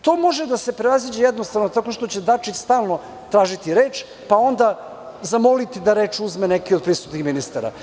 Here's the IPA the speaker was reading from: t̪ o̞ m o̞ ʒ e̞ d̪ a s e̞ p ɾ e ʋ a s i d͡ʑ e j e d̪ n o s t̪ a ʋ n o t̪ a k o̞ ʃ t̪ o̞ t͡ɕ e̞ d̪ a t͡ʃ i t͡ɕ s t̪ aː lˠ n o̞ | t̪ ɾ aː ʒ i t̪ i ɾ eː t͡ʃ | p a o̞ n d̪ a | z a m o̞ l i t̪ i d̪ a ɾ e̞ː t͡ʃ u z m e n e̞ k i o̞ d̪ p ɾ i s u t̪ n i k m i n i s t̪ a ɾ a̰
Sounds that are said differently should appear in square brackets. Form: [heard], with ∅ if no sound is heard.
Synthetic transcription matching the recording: t̪ o̞ m o̞ ʒ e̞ d̪ a s e̞ p ɾ e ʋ a [z] i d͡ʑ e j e d̪ n o s t̪ a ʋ n o t̪ a k o̞ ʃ t̪ o̞ t͡ɕ e̞ d̪ a t͡ʃ i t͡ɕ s t̪ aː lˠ n o̞ | t̪ ɾ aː ʒ i t̪ i ɾ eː t͡ʃ | p a o̞ n d̪ a | z a m o̞ l i t̪ i d̪ a ɾ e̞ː t͡ʃ u z m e n e̞ k i o̞ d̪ p ɾ i s u t̪ n i [x] m i n i s t̪ a ɾ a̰